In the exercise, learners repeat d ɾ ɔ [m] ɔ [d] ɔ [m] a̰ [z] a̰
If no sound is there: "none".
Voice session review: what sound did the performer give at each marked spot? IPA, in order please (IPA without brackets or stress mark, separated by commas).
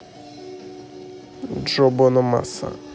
b, n, m, s